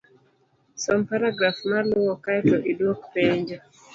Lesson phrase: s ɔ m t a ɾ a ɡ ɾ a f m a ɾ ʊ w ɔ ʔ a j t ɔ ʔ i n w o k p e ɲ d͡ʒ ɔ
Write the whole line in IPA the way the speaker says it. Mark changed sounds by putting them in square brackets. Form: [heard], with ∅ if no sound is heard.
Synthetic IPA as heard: s ɔ m [p] a ɾ a ɡ ɾ a f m a [l] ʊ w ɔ [k] a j t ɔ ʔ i [d] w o k p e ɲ d͡ʒ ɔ